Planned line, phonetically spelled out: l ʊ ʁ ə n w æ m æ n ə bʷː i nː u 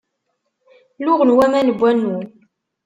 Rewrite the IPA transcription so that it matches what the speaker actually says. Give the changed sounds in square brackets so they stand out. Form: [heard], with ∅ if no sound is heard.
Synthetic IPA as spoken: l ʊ ʁ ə n w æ m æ n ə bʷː [æ] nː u